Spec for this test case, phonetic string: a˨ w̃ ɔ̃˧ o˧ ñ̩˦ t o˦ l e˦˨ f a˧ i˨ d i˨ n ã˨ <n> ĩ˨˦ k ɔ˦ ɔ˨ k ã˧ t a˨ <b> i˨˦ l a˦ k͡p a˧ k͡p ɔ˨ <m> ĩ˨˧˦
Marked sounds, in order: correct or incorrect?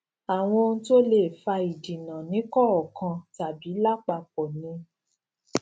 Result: correct, correct, incorrect: n

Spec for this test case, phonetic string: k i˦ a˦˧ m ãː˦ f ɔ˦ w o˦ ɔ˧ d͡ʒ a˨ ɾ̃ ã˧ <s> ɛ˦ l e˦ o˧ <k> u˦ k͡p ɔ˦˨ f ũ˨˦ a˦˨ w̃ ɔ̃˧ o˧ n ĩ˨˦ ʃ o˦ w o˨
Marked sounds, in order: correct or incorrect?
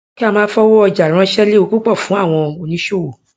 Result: incorrect: ʃ, correct

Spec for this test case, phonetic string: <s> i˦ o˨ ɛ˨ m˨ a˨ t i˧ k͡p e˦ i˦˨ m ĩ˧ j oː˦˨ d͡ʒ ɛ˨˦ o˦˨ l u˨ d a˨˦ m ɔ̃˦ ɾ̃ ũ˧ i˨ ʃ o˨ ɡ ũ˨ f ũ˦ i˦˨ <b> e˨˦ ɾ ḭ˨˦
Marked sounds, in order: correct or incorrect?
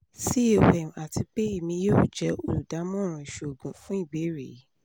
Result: correct, correct

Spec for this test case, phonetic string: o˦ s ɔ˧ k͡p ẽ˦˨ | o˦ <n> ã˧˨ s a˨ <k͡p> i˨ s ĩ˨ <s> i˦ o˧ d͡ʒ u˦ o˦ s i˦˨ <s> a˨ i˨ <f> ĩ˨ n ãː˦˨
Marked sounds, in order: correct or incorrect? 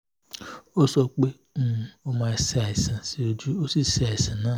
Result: incorrect: m, incorrect: none, correct, correct, incorrect: s

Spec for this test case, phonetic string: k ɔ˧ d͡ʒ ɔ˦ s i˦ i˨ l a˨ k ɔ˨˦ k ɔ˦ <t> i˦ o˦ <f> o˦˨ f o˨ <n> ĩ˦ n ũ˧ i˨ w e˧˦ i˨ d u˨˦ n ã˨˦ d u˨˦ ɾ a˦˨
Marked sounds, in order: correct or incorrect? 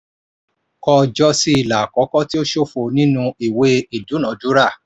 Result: correct, incorrect: ʃ, correct

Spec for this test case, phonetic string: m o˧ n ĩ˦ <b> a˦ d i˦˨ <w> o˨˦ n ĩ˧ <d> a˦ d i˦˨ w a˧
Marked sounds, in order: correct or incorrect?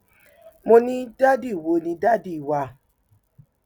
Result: incorrect: d, correct, correct

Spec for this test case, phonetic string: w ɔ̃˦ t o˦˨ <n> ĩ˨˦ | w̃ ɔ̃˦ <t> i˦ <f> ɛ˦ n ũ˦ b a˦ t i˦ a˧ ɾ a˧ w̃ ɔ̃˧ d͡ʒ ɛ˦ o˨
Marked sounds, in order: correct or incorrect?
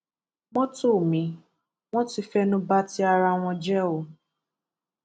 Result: incorrect: m, correct, correct

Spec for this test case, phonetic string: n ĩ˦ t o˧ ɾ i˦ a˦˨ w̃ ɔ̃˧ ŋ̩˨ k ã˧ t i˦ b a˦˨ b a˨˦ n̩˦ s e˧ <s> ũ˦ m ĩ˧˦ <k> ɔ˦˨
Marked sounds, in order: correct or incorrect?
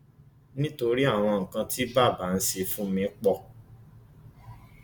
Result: incorrect: f, incorrect: k͡p

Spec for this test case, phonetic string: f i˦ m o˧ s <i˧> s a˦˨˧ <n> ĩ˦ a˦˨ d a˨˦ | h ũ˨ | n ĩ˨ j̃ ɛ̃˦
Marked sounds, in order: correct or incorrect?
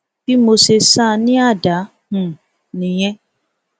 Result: incorrect: e˧, correct

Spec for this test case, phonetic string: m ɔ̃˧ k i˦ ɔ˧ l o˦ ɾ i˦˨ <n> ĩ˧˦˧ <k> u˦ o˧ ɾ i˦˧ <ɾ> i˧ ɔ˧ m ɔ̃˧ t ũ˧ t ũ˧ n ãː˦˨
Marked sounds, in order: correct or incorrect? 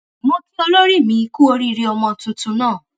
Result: incorrect: m, correct, correct

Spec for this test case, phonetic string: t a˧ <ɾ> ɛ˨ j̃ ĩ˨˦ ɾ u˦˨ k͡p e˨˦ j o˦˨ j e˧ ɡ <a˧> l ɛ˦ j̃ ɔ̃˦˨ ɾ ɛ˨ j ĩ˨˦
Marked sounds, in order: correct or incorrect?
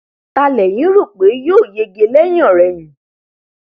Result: incorrect: l, incorrect: e˧

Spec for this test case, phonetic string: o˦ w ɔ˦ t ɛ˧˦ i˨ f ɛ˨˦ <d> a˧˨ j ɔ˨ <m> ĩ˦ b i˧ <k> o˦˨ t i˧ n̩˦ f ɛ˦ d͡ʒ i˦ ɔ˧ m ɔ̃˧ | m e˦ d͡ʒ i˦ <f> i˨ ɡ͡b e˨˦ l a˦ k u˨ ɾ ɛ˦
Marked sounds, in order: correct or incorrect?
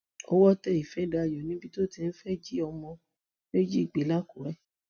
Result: correct, incorrect: n, incorrect: t, incorrect: none

